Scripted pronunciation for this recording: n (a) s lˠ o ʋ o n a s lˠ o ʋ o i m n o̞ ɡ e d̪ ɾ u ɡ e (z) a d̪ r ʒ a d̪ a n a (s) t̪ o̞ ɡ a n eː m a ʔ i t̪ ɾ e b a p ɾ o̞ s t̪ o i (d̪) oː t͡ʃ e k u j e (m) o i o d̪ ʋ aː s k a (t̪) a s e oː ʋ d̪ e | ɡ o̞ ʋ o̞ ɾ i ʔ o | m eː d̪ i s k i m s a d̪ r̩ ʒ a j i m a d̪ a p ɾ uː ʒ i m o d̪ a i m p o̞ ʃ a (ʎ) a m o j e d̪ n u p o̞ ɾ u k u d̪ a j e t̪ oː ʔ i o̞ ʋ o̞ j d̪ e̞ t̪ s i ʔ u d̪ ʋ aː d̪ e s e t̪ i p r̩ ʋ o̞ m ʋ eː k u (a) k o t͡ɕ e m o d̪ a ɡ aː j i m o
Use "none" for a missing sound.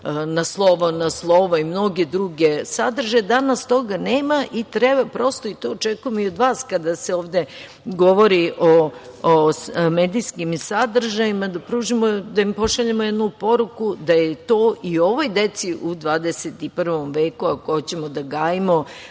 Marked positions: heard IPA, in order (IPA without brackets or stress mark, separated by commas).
a, s, s, t̪, m, d̪, ʎ, a